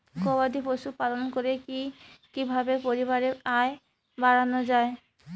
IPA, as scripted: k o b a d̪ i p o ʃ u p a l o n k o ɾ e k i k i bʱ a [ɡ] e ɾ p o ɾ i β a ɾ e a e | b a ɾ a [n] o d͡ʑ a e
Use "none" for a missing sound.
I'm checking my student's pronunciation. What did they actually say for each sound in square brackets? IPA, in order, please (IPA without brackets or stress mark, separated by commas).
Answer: b, n